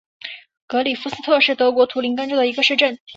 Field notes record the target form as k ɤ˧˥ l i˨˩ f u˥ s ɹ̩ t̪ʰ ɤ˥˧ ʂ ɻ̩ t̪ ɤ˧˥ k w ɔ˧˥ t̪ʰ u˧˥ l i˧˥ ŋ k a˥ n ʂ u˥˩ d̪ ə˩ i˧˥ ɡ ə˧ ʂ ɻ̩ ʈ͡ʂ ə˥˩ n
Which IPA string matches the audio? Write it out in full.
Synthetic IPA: k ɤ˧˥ l i˨˩ f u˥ s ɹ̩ t̪ʰ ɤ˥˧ ʂ ɻ̩ t̪ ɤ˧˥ k w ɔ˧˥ t̪ʰ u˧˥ l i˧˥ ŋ k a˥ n ʈ͡ʂ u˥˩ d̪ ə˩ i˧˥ ɡ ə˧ ʂ ɻ̩ ʈ͡ʂ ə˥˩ n